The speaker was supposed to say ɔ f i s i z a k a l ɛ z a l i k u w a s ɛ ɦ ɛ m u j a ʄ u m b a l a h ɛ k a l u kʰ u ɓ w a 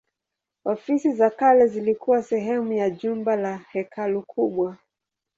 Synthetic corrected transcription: ɔ f i s i z a k a l ɛ z i l i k u w a s ɛ ɦ ɛ m u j a ʄ u m b a l a h ɛ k a l u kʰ u ɓ w a